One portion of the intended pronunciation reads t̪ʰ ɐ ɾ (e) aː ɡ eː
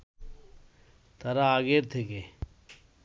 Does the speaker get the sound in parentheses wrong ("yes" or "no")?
yes